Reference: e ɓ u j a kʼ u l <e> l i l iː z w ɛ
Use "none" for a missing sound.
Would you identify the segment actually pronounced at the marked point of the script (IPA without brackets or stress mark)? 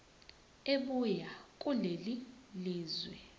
e